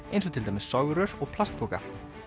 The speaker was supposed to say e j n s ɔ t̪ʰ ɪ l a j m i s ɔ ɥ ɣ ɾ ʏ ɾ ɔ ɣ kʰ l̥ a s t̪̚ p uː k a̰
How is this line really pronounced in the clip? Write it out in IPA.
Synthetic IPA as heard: e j n s ɔ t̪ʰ ɪ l a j m ɪ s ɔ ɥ ɣ ɾ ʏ ɾ ɔ ɣ pʰ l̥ a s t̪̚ p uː k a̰